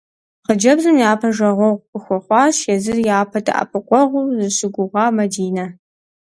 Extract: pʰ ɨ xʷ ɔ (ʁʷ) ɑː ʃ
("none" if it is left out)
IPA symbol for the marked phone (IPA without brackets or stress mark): χʷ